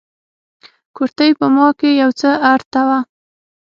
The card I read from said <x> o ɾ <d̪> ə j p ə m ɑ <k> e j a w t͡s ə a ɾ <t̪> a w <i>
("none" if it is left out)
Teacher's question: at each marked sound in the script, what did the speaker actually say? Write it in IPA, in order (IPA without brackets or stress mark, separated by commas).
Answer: k, t̪, k, t̪, a